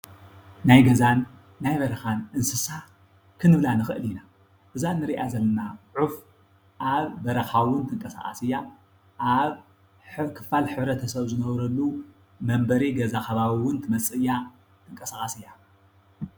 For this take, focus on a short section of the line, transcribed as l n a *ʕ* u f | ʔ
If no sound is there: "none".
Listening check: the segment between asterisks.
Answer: ʕ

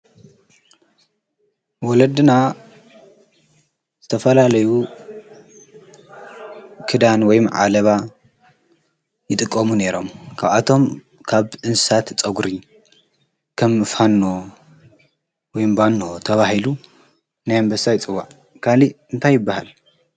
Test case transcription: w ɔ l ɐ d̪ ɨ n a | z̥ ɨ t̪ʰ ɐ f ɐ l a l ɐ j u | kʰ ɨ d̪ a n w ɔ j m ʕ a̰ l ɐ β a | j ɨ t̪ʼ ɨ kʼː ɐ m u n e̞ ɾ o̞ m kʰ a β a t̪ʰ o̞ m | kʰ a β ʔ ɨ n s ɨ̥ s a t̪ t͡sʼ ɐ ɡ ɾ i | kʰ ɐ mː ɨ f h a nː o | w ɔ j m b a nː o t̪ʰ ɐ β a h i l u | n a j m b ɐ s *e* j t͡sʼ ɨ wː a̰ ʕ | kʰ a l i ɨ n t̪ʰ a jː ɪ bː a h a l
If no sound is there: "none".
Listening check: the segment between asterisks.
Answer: a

